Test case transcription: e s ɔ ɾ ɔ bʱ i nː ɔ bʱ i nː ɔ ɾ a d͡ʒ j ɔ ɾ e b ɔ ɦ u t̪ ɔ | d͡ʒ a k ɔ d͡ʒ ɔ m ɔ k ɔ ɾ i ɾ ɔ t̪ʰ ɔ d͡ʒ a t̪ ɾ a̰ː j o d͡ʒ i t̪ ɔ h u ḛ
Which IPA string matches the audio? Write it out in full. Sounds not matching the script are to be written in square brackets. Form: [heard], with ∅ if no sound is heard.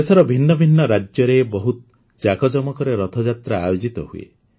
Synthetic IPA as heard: e s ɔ ɾ ɔ bʱ i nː ɔ bʱ i nː ɔ ɾ a d͡ʒ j ɔ ɾ e b ɔ ɦ u t̪ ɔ | d͡ʒ a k ɔ d͡ʒ ɔ m ɔ k ɔ ɾ [e] ɾ ɔ t̪ʰ ɔ d͡ʒ a t̪ ɾ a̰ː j o d͡ʒ i t̪ ɔ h u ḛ